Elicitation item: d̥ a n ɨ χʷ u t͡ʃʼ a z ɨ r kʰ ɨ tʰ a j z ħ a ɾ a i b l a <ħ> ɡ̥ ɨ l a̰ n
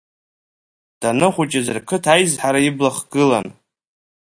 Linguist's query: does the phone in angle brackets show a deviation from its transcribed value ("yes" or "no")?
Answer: yes